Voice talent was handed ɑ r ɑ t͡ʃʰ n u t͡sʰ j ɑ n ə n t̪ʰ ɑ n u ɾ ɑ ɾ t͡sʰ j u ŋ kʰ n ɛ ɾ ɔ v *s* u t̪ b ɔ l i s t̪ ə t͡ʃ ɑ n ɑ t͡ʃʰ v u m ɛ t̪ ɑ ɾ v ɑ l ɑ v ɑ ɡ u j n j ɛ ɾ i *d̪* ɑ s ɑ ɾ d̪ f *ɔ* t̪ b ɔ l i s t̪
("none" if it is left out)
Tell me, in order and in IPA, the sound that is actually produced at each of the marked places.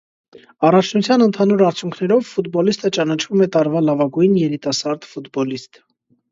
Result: f, t̪, u

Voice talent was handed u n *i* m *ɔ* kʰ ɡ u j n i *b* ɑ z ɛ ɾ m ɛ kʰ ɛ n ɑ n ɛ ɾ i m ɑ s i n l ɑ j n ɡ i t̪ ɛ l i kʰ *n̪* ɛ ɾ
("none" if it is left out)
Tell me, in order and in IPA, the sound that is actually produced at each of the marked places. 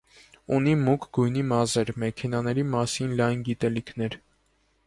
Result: i, u, m, n̪

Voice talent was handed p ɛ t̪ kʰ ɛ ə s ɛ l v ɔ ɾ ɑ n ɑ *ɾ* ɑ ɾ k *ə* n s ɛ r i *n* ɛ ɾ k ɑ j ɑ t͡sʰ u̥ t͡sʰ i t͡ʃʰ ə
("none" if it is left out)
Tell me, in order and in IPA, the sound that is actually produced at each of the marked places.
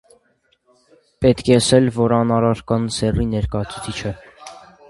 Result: ɾ, ɑ, n

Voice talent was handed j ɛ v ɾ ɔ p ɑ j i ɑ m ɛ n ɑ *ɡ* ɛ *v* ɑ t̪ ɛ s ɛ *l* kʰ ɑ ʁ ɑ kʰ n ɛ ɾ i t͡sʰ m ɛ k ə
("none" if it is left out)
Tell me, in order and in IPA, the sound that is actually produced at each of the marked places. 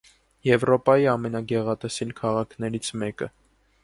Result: ɡ, ʁ, l

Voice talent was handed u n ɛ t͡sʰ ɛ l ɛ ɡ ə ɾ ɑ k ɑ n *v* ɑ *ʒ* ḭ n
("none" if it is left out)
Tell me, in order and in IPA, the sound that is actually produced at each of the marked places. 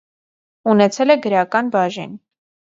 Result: b, ʒ

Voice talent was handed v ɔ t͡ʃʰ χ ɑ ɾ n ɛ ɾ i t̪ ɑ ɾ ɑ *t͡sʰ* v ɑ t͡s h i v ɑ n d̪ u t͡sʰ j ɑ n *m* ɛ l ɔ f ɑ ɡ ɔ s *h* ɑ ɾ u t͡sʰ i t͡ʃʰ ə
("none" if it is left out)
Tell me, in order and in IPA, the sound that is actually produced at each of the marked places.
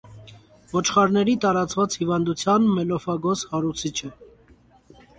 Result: t͡s, m, h

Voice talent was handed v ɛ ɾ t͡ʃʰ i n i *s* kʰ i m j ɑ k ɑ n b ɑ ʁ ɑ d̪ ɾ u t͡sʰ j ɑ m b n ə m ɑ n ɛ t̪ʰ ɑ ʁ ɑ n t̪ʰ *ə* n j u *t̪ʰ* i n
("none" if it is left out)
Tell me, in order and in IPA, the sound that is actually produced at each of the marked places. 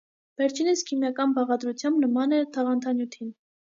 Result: s, ɑ, t̪ʰ

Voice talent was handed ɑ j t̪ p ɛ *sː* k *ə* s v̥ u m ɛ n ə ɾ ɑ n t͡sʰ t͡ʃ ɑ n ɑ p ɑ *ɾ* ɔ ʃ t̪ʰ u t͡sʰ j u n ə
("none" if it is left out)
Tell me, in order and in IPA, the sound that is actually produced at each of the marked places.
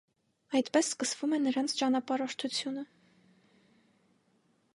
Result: sː, ə, ɾ

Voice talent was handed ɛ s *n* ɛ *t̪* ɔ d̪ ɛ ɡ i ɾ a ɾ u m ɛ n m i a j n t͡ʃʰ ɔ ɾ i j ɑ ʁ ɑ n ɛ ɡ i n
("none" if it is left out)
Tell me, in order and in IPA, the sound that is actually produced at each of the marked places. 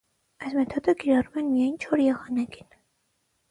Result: m, t̪ʰ

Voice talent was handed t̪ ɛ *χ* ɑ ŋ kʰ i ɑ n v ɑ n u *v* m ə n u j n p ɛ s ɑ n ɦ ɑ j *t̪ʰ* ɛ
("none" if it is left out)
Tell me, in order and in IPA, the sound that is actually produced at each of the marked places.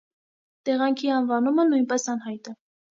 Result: ʁ, none, t̪

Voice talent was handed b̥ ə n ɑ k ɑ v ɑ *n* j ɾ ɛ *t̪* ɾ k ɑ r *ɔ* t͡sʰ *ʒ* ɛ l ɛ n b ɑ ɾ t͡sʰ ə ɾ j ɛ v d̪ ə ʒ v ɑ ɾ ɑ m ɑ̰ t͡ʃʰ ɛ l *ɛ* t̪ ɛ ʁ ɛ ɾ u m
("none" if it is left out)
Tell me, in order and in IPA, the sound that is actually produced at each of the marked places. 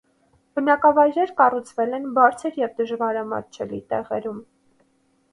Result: none, none, u, v, i

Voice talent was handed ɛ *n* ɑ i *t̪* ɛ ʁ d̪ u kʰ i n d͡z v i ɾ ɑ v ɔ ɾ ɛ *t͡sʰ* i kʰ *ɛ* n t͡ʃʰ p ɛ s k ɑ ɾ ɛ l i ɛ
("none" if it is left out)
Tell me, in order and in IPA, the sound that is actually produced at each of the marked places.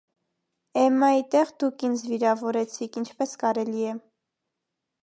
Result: m, t̪, t͡sʰ, i

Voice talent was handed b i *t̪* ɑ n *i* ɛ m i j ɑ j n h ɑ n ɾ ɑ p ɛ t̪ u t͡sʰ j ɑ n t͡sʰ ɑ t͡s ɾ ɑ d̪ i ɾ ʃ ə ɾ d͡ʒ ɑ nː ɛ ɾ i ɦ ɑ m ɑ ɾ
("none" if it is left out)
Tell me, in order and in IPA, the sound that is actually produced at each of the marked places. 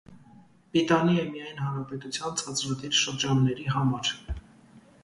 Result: t̪, i

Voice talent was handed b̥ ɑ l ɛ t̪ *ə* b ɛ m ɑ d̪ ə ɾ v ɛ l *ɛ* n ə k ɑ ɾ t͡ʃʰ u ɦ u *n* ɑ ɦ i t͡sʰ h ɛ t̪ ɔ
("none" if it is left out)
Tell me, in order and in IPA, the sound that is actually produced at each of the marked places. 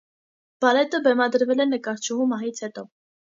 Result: ə, ɛ, m

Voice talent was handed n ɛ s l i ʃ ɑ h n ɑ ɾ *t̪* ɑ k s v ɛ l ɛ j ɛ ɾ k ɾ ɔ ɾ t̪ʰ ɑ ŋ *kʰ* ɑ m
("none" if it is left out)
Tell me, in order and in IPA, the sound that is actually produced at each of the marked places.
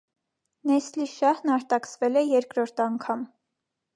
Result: t̪, kʰ

